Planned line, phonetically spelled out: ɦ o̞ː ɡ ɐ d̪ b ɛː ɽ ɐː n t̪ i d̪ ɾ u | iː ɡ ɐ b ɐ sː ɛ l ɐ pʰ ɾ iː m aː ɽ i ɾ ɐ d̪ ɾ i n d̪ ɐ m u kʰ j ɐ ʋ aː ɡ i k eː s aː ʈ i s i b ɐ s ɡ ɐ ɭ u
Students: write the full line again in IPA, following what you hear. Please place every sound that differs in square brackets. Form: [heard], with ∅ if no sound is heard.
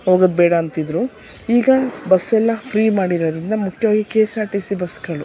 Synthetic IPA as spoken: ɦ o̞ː ɡ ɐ d̪ b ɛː ɽ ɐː n t̪ i d̪ ɾ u | iː ɡ ɐ b ɐ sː ɛ [lː] ɐ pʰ ɾ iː m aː ɽ i ɾ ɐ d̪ ɾ i n d̪ ɐ m u kʰ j ɐ ʋ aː ɡ i k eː s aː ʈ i s i b ɐ s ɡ ɐ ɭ u